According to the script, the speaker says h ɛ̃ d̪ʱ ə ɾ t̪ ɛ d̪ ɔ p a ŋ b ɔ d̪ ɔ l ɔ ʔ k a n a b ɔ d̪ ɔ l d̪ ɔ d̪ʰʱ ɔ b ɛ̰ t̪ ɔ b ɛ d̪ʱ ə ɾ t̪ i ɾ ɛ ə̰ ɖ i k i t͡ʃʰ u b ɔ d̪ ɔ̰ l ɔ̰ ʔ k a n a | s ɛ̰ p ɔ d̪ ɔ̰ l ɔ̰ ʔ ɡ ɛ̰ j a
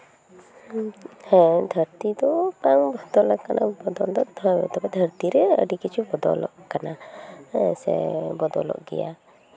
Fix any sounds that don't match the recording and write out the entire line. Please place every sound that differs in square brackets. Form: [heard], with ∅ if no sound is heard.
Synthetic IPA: h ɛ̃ d̪ʱ ə ɾ t̪ [i] d̪ ɔ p a ŋ b ɔ d̪ ɔ l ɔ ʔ k a n a b ɔ d̪ ɔ l d̪ ɔ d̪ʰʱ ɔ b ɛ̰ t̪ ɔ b ɛ d̪ʱ ə ɾ t̪ i ɾ ɛ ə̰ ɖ i k i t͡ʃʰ u b ɔ d̪ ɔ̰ l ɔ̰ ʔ k a n a | s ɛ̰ [b] ɔ d̪ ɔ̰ l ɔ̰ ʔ ɡ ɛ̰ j a